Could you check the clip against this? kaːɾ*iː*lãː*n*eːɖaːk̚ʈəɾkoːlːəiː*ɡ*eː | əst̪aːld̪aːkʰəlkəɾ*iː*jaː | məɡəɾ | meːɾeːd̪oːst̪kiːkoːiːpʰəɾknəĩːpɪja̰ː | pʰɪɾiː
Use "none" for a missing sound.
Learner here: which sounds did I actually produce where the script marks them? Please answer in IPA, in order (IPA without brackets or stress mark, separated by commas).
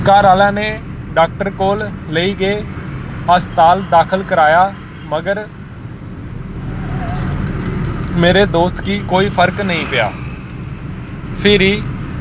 aː, n, ɡ, aː